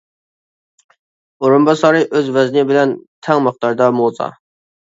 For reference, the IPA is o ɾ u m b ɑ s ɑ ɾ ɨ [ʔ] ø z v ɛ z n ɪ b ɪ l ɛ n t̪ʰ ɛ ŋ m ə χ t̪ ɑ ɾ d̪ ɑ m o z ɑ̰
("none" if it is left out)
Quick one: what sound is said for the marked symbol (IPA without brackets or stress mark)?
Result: ʔ